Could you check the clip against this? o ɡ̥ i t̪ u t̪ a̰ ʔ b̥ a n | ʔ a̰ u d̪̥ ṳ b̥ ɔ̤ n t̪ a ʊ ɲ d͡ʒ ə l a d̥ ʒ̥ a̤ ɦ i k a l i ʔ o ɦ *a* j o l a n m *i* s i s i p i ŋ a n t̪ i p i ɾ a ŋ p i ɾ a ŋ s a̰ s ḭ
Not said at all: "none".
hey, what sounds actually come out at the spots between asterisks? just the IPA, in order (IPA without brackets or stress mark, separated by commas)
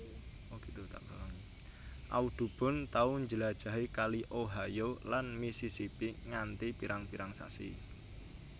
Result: a, i